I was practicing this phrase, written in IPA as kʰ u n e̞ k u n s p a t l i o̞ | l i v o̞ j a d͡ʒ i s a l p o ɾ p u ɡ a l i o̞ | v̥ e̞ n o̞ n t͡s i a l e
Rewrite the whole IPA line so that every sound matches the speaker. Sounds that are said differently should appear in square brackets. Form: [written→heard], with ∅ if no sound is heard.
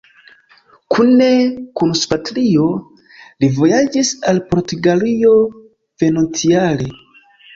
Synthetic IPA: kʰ u n e̞ k u n s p a t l i o̞ | l i v o̞ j a d͡ʒ i s a l p o ɾ [p→t] u ɡ a l i o̞ | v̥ e̞ n o̞ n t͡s i a l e